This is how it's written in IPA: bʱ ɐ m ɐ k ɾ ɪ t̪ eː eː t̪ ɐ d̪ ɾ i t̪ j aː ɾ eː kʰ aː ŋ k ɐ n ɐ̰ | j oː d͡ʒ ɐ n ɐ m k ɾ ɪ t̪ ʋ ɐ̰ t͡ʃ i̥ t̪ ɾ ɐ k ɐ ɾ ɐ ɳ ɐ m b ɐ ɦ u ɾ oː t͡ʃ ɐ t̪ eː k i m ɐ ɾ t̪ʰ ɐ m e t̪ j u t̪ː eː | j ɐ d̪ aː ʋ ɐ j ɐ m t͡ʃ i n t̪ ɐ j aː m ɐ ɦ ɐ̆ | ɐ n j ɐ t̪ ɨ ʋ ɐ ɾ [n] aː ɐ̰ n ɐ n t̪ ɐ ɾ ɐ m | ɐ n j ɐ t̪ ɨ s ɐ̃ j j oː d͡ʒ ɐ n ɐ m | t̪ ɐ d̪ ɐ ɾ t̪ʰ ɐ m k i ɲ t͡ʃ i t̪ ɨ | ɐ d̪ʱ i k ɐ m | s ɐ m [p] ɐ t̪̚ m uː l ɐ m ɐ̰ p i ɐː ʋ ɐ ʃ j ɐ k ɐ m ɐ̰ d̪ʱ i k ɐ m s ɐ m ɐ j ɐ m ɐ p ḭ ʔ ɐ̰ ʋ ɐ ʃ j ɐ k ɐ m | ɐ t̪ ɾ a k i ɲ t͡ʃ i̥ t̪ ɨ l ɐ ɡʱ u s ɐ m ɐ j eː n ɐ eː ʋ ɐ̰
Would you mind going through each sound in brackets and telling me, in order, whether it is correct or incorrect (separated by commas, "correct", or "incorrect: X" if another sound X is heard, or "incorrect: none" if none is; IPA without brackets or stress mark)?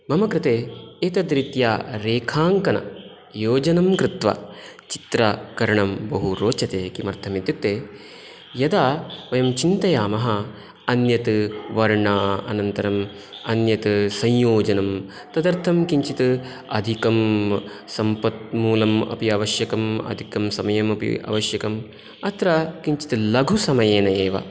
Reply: incorrect: ɳ, correct